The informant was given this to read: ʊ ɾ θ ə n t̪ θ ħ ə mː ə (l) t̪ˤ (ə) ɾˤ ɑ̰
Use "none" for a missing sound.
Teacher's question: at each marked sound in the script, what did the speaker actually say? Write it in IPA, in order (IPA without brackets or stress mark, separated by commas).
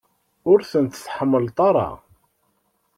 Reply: l, ɑ